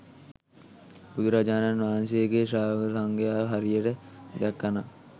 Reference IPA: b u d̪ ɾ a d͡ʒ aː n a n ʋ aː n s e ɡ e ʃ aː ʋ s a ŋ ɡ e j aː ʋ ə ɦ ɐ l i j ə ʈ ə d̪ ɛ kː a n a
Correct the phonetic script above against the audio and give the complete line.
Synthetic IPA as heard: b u d̪ ɾ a d͡ʒ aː n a n ʋ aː n s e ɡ e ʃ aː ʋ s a ŋ ɡ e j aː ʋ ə ɦ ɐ ɾ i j ə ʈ ə d̪ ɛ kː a n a